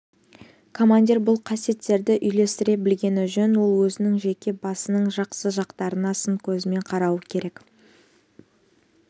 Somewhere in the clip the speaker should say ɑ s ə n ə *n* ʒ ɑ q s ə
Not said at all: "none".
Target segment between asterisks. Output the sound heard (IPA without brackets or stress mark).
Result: ɴ